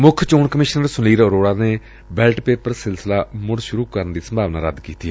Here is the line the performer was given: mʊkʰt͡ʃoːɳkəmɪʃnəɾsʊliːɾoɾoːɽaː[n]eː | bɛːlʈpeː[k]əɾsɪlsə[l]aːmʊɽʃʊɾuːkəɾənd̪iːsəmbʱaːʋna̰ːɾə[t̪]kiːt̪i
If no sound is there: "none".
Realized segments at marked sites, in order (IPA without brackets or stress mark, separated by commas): n, p, l, d̪